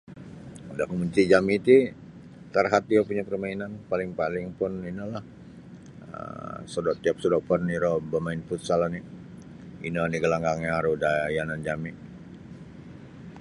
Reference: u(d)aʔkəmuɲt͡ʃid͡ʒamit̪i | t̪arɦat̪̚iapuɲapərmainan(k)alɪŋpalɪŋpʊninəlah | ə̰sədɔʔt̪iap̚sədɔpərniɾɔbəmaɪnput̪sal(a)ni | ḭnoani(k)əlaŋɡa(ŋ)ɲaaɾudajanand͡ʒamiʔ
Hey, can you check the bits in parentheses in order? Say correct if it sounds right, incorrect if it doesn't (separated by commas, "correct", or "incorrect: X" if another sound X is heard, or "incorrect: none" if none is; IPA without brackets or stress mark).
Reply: correct, incorrect: p, correct, incorrect: ɡ, correct